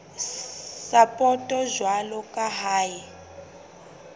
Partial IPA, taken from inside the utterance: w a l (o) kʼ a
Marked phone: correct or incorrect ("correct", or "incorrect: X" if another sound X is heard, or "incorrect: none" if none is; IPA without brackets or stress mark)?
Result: incorrect: ɔ